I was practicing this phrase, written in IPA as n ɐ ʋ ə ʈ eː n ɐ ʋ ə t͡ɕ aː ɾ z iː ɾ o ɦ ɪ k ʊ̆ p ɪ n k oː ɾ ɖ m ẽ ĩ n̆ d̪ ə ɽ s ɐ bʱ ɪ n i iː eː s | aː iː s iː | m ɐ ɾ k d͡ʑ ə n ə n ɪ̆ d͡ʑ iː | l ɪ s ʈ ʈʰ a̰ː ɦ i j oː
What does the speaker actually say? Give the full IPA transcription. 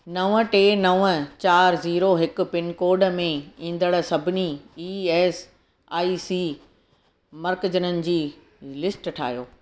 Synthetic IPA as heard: n ɐ ʋ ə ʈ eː n ɐ ʋ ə t͡ɕ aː ɾ z iː ɾ o ɦ ɪ k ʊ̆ p ɪ n k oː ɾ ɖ m ẽ ĩː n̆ d̪ ə ɽ s ɐ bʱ ɪ n i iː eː s | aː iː s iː | m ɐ ɾ k d͡ʑ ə n ə n ɪ̆ d͡ʑ iː | l ɪ s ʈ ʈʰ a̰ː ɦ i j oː